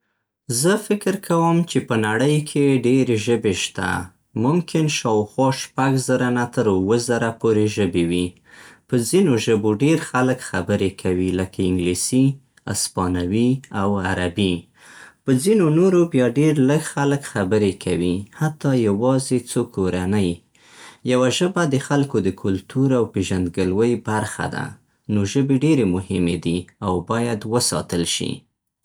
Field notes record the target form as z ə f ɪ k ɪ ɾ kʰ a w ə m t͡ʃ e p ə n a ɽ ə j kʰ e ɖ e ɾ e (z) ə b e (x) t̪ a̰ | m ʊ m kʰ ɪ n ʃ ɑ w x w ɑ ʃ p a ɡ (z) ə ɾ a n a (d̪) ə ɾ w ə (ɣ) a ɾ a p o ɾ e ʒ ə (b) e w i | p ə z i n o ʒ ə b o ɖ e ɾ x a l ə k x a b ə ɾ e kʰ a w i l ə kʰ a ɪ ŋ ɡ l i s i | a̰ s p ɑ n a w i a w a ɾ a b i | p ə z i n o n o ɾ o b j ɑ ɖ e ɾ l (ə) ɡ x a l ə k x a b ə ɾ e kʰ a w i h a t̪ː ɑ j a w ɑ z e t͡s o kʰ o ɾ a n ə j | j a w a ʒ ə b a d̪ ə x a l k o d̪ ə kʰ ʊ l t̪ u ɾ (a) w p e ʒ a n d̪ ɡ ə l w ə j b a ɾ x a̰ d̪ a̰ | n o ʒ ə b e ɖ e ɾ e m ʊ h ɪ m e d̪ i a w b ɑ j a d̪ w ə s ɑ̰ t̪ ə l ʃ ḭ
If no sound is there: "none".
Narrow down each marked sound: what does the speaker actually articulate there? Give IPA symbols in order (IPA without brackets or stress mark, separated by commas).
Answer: ʒ, ʃ, z, t̪, z, b, ə, a